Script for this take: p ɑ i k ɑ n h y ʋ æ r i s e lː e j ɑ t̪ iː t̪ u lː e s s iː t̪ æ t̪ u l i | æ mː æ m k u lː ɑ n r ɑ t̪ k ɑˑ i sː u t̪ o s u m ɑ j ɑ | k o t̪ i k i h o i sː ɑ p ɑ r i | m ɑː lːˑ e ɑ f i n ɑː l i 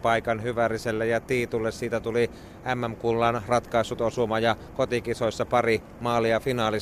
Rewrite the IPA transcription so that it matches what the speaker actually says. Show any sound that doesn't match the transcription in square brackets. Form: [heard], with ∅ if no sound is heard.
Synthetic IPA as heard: p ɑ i k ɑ n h y ʋ æ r i s e lː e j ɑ t̪ iː t̪ u lː e s s iː t̪ æ t̪ u l i | æ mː æ m k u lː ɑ n r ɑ t̪ k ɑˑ i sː u t̪ o s u m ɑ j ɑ | k o t̪ i k i [s] o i sː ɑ p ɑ r i | m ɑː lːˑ [i] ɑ f i n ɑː l i